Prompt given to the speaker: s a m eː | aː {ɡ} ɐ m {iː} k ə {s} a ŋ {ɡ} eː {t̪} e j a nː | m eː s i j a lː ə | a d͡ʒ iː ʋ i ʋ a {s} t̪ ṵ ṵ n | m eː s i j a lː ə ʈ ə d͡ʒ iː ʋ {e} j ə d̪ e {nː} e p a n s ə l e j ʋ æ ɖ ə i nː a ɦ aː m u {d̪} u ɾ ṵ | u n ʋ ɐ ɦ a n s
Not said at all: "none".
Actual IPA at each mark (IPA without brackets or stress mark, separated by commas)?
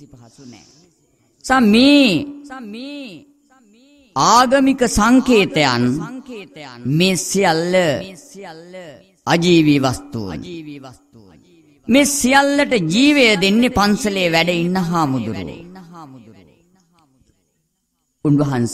ɡ, i, s, k, t̪, s, e, nː, d̪